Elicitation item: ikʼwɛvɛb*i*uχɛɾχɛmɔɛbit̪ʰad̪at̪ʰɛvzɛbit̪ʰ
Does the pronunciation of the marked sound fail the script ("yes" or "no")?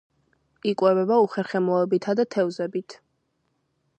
yes